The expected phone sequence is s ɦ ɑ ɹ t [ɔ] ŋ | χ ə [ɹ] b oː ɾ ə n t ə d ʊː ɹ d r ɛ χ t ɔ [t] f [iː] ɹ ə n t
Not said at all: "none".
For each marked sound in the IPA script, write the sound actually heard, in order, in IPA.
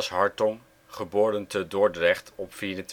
ɔ, none, p, iː

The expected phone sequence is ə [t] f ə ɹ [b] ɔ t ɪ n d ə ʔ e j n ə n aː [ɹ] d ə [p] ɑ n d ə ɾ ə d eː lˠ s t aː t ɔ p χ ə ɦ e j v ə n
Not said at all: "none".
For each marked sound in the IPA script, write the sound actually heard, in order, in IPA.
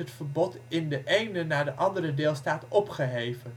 t, b, ɹ, ʔ

